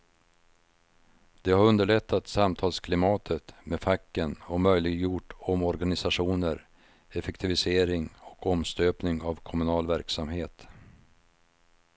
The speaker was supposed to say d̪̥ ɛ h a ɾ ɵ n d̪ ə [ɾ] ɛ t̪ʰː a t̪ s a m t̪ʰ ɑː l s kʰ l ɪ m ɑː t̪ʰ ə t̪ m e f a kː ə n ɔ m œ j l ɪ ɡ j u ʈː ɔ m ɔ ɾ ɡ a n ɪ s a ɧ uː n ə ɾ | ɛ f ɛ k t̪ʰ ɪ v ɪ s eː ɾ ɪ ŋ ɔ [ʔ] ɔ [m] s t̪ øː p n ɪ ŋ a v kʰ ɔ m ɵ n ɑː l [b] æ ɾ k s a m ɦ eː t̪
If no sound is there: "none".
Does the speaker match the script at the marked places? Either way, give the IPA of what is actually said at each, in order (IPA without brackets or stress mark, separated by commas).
ɭ, k, m, v